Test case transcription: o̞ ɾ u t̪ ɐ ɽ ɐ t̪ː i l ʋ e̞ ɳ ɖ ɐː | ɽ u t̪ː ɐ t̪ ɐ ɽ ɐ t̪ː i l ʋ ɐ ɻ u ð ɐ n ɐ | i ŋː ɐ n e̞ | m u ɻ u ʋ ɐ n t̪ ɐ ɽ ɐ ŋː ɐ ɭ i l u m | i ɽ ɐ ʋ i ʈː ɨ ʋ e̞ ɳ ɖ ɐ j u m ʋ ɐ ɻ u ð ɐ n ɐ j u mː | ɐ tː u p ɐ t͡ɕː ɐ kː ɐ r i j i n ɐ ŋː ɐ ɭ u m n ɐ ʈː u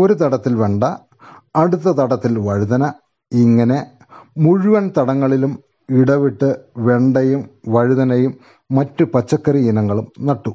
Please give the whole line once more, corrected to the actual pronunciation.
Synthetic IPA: o̞ ɾ u t̪ ɐ ɽ ɐ t̪ː i l ʋ e̞ ɳ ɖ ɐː | ɽ u t̪ː ɐ t̪ ɐ ɽ ɐ t̪ː i l ʋ ɐ ɻ u ð ɐ n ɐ | i ŋː ɐ n e̞ | m u ɻ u ʋ ɐ n t̪ ɐ ɽ ɐ ŋː ɐ ɭ i l u m | i ɽ ɐ ʋ i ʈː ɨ ʋ e̞ ɳ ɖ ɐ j u m ʋ ɐ ɻ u ð ɐ n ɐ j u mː | ɐ tː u p ɐ t͡ɕː ɐ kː ɐ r i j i n ɐ ŋː ɐ ɭ u m n ɐ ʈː u